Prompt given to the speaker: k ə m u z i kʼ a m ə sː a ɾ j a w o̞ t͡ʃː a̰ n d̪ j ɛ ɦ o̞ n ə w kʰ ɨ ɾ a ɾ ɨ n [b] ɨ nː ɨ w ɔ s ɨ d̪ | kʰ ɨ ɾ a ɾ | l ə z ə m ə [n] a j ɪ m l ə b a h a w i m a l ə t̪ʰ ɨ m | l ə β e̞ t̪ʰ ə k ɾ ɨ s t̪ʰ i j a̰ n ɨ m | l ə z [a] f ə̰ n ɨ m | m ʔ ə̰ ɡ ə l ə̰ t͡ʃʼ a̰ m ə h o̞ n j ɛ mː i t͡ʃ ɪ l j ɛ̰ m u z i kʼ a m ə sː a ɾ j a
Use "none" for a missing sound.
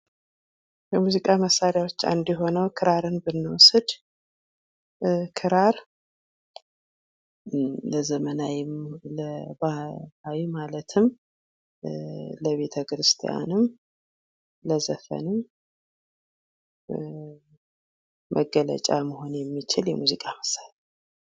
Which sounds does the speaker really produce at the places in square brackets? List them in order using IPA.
b, n, ə

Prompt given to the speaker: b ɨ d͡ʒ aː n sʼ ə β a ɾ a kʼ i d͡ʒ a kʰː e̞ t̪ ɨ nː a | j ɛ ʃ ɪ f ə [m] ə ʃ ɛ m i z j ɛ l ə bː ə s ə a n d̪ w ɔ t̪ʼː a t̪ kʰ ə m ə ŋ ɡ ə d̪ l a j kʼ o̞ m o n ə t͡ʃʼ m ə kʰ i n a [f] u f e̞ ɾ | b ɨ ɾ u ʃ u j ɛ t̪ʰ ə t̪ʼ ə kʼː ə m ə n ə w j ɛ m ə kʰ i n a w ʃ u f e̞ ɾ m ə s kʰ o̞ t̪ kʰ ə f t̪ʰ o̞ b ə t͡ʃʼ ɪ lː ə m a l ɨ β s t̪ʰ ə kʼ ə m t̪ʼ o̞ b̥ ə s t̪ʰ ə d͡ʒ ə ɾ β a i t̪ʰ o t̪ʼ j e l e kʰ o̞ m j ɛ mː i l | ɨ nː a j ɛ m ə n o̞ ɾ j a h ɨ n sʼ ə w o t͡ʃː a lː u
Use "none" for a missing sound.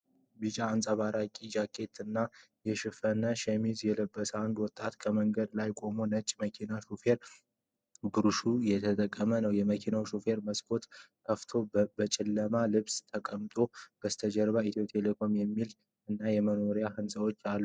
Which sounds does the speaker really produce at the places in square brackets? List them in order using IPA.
n, ʃ

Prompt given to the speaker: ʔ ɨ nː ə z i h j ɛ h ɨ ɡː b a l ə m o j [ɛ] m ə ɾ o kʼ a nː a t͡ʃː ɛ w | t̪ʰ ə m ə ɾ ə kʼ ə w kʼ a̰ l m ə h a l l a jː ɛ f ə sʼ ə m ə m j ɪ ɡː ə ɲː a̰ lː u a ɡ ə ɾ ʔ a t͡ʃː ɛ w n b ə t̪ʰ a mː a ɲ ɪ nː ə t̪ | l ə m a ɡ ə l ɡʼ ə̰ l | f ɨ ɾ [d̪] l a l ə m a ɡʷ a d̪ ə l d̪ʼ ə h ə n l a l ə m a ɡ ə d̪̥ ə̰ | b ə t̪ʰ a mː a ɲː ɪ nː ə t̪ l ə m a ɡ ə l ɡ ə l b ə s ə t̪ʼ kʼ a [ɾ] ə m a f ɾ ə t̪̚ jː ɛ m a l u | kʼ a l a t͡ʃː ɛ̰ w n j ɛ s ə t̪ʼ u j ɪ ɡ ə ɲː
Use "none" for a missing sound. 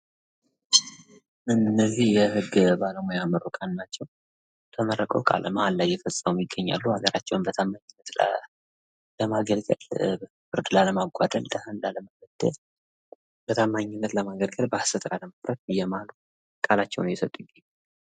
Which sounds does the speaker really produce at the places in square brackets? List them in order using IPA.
a, d̪, l

